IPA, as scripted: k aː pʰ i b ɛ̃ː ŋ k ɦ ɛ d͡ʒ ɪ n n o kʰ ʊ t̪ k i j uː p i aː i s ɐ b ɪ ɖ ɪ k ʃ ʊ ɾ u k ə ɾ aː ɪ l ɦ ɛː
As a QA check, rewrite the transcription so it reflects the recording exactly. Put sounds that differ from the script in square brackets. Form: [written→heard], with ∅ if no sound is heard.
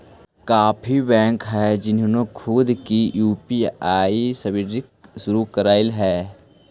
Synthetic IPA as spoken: k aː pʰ i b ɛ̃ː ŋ k ɦ ɛ d͡ʒ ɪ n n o kʰ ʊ [t̪→d̪] k i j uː p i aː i s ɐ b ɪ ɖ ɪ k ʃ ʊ ɾ u k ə ɾ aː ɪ l ɦ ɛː